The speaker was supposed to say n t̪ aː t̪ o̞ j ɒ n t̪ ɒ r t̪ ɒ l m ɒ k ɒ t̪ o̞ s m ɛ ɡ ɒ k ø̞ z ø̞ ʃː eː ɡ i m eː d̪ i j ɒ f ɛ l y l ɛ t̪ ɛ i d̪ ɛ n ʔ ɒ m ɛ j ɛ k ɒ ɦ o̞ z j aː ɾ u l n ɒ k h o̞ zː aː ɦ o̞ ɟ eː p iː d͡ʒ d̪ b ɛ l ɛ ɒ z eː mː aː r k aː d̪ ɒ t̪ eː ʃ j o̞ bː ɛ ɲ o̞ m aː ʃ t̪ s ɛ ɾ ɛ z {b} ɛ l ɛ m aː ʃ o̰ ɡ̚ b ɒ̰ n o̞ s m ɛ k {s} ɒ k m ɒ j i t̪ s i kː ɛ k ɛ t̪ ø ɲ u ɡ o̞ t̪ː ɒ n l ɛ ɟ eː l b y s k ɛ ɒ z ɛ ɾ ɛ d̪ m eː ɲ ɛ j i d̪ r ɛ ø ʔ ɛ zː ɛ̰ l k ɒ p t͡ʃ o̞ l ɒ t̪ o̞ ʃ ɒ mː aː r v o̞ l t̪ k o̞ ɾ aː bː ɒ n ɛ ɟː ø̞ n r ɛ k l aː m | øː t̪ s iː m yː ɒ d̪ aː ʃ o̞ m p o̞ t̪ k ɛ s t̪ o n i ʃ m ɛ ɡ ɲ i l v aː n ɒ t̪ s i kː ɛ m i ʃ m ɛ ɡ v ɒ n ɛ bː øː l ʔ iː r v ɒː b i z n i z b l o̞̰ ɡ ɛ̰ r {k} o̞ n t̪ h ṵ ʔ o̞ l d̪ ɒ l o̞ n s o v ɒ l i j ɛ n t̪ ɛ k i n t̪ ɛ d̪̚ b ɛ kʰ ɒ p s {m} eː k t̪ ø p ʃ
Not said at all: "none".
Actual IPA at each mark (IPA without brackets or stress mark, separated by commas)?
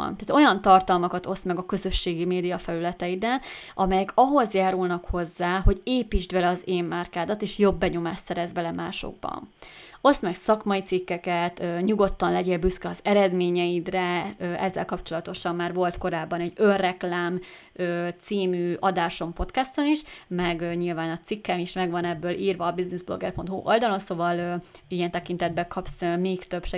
b, s, p, m